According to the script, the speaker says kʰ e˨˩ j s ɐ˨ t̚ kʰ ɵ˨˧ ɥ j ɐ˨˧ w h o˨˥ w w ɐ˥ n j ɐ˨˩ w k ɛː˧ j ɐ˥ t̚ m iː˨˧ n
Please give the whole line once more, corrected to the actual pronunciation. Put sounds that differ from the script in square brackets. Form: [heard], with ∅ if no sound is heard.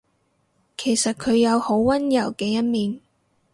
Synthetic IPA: kʰ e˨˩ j s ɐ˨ t̚ kʰ ɵ˨˧ ɥ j ɐ˨˧ w h o˨˥ w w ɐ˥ n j ɐ˨˩ w k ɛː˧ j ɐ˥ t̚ m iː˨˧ n